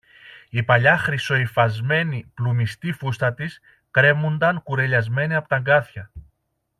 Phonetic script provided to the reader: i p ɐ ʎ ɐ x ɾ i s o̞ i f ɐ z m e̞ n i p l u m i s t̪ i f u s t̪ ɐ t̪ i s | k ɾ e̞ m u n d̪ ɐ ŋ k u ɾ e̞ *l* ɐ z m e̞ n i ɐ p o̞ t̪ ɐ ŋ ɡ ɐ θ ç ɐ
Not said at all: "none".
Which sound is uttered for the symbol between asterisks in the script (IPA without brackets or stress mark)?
ʎ